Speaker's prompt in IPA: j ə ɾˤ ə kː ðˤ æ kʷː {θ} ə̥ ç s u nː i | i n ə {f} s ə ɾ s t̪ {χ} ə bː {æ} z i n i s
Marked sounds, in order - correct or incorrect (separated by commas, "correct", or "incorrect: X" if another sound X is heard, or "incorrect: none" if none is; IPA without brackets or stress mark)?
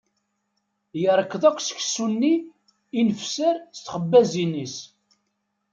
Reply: incorrect: s, correct, correct, correct